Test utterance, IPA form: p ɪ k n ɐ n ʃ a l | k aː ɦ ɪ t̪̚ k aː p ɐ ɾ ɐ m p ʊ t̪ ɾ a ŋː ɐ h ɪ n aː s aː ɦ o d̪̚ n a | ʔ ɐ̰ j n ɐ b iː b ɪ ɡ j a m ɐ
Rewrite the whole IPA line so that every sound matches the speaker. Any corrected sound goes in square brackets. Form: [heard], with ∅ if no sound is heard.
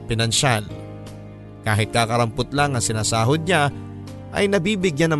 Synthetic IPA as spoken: p ɪ [∅] n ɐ n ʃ a l | k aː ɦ ɪ t̪̚ k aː [k] ɐ ɾ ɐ m p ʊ t̪ [l] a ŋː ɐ [s] ɪ n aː s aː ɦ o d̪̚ [ɲ] a | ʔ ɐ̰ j n ɐ b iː b ɪ ɡ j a [n] ɐ